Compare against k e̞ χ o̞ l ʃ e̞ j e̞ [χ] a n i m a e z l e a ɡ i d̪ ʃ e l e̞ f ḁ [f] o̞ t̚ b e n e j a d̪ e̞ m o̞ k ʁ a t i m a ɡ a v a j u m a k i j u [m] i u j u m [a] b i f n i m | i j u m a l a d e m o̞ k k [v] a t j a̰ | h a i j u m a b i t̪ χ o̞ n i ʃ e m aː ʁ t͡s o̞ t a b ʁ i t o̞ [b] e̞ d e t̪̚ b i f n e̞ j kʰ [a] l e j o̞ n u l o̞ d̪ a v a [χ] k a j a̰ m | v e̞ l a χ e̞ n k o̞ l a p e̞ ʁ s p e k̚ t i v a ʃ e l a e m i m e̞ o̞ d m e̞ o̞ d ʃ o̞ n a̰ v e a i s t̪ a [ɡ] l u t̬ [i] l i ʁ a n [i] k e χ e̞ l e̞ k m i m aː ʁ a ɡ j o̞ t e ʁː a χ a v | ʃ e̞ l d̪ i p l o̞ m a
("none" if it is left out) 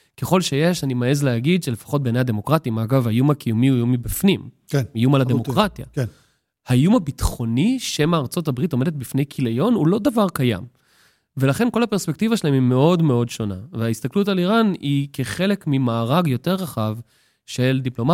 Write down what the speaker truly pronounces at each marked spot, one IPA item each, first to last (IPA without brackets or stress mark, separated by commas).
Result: ʃ, χ, m, i, ʁ, m, i, ʁ, k, a, i